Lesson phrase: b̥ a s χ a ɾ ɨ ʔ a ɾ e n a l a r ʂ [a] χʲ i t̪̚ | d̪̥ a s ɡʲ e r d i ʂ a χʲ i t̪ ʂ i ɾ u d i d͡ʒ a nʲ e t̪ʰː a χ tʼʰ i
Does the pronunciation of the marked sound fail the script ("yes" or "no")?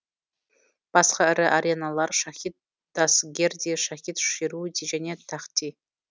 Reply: no